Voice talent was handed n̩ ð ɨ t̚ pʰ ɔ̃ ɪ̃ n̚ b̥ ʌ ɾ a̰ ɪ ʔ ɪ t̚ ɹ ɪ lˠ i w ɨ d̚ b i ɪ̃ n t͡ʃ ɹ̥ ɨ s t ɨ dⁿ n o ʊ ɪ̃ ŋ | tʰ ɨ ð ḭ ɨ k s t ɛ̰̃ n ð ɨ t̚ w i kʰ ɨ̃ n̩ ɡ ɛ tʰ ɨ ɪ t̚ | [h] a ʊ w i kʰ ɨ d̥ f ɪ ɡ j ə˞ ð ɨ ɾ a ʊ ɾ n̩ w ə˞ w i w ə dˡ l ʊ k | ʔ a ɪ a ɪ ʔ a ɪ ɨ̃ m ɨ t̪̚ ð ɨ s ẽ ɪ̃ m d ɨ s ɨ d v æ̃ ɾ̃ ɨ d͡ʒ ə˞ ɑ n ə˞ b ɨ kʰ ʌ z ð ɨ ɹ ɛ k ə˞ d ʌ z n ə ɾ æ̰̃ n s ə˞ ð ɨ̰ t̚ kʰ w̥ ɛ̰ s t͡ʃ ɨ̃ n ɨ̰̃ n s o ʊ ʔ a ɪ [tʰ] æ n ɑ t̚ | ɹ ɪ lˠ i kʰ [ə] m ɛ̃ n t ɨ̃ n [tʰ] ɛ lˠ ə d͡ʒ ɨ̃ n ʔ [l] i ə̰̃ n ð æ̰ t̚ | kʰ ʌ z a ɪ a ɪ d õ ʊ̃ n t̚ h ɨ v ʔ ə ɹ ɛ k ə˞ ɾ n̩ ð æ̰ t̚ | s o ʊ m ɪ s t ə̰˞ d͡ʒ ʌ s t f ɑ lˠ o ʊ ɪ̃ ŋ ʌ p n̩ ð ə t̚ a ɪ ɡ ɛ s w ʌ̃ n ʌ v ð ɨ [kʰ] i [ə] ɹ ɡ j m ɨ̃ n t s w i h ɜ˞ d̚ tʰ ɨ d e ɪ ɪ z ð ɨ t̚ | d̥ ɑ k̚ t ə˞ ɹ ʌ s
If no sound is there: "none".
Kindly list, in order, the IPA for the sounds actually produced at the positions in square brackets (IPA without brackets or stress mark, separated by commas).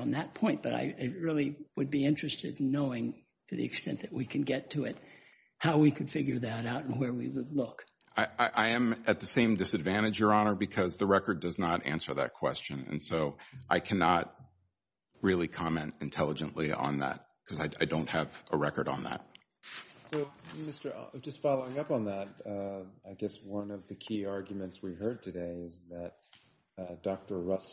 h, kʰ, ɑ, tʰ, l, kʰ, ɑ